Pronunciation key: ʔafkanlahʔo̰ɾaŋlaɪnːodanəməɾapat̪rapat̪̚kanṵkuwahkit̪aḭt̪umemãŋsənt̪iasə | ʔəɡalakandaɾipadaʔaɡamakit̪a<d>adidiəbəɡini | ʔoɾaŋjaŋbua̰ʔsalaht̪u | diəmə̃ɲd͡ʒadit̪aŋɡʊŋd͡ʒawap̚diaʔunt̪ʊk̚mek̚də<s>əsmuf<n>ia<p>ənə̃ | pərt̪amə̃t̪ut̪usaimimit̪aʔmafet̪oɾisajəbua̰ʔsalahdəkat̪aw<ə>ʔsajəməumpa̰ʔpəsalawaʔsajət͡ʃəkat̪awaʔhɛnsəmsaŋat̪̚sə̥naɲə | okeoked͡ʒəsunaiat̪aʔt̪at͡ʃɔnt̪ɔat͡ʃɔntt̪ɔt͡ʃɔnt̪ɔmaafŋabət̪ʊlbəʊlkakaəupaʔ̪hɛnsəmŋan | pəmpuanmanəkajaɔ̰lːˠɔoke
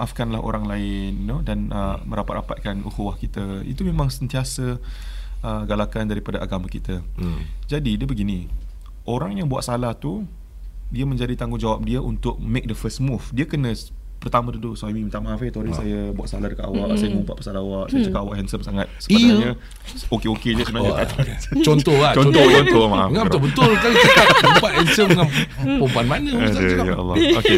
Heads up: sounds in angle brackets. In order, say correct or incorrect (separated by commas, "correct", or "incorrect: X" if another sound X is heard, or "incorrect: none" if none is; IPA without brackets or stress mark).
incorrect: d͡ʒ, incorrect: f, incorrect: d, incorrect: k, incorrect: a